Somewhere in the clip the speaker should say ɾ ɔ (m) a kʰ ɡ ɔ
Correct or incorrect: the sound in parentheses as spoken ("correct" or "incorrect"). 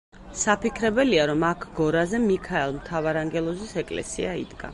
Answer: correct